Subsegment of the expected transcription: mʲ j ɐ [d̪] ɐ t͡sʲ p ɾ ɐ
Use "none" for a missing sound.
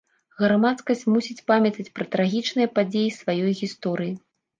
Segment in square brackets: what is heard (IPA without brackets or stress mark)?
t̪